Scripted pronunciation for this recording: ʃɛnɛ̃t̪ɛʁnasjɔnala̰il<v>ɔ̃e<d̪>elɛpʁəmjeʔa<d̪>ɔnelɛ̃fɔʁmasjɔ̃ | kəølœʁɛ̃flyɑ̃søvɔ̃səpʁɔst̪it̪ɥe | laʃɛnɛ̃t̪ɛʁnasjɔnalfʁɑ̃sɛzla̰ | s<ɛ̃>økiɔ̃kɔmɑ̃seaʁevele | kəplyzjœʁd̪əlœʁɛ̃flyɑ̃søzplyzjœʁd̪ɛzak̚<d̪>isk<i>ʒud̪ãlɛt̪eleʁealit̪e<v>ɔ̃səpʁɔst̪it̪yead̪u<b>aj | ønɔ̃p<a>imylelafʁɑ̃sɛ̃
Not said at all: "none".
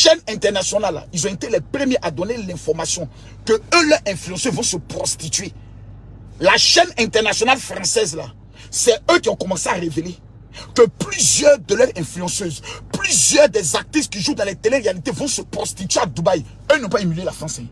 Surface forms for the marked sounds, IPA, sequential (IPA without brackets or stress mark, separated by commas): z, t̪, d̪, ɛ, t̪, i, v, b, a